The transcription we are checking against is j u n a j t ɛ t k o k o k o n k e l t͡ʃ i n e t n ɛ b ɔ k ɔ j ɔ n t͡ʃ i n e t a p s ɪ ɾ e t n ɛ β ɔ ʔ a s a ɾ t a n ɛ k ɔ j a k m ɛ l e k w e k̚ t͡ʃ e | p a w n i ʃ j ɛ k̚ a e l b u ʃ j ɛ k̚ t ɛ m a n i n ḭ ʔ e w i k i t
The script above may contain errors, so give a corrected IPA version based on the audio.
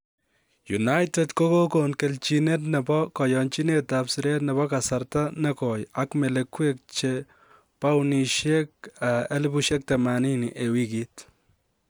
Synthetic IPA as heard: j u n a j t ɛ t k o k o k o n k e l t͡ʃ i n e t n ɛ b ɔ k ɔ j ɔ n t͡ʃ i n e t a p s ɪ ɾ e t n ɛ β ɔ k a s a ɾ t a n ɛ k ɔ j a k m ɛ l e k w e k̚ t͡ʃ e | p a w n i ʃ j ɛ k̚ a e l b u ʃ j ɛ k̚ t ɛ m a n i n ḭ ʔ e w i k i t